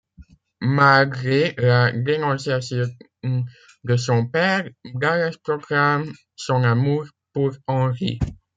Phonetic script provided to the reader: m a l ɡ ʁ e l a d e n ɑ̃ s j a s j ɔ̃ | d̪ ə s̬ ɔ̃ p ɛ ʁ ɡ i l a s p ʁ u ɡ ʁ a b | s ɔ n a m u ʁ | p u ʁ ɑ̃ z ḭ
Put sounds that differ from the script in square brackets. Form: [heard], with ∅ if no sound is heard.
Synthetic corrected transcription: m a l ɡ ʁ e l a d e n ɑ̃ s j a s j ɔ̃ | d̪ ə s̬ ɔ̃ p ɛ ʁ ɡ [a] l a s p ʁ [ɔ] ɡ ʁ a [m] | s [ɔ̃] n a m u ʁ | p u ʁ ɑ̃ [ʁ] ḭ